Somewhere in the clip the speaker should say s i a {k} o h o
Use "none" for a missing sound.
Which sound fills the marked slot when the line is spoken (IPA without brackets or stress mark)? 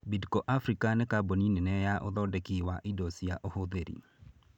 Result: ʔ